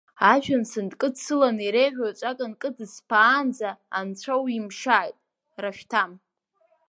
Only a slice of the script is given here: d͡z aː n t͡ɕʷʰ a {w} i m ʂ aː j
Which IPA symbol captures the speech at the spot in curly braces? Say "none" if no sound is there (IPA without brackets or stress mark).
w